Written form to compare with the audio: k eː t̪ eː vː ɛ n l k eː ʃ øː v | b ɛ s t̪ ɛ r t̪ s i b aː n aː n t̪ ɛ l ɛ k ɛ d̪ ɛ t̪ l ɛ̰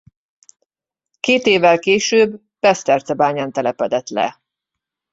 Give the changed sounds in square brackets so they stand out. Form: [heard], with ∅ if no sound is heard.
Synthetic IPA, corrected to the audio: k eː t̪ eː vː ɛ [∅] l k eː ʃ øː [b] | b ɛ s t̪ ɛ r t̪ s [ɛ] b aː [ɲ] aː n t̪ ɛ l ɛ [p] ɛ d̪ ɛ t̪ l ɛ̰